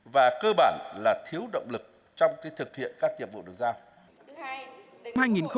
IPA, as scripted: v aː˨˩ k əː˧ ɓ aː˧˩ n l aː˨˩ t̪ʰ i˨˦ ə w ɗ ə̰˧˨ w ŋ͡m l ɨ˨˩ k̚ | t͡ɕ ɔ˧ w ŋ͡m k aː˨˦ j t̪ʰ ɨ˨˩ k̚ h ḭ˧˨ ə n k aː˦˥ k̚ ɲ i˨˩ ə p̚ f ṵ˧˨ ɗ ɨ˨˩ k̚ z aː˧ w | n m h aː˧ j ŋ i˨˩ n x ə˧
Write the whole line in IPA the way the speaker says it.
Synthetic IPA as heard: v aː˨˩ k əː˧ ɓ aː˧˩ n l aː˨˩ t̪ʰ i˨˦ ə w ɗ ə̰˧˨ w ŋ͡m l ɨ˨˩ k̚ | t͡ɕ ɔ˧ w ŋ͡m k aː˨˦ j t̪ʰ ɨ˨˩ k̚ h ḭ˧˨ ə n k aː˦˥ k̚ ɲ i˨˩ ə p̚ v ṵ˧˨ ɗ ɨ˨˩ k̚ z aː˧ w | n m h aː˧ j ŋ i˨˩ n x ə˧